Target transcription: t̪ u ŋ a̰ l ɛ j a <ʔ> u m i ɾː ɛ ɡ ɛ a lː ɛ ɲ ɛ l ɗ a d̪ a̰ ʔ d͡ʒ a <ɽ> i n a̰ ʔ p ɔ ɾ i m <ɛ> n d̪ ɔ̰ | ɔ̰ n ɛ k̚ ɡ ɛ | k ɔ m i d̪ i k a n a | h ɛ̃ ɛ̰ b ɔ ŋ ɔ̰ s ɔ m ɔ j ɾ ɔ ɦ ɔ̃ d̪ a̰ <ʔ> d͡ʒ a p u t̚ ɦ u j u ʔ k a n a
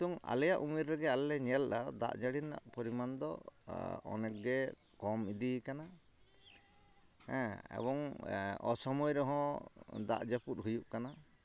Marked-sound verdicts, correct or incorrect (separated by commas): correct, correct, incorrect, correct